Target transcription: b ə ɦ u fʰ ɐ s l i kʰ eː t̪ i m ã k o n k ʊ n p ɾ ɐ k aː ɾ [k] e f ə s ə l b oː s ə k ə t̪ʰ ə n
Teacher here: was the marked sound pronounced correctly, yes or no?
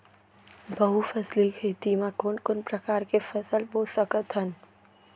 yes